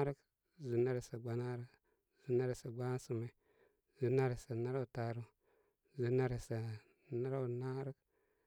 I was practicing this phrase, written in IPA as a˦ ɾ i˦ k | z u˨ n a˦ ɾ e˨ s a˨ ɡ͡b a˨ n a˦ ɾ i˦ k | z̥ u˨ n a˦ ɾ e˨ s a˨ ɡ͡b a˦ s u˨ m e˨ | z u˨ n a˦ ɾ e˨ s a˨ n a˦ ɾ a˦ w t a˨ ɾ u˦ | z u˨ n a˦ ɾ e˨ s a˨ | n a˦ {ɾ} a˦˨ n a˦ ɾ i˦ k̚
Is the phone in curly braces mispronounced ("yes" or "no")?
no